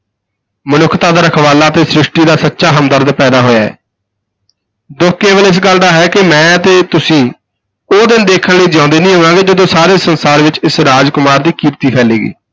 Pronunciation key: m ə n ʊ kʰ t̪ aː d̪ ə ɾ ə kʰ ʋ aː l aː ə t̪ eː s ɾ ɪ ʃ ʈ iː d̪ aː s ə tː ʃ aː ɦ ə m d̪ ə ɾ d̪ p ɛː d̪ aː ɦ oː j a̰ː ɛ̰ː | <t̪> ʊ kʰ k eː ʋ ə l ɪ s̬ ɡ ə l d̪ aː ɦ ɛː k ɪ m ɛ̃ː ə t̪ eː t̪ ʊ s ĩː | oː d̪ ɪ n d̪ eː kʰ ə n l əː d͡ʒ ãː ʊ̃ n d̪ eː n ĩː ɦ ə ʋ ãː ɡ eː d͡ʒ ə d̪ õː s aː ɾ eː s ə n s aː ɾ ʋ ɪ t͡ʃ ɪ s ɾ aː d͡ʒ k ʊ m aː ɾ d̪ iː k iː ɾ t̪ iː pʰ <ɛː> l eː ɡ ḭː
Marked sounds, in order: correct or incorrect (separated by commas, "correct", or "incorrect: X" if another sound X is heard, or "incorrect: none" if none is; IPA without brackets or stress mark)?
incorrect: d̪, correct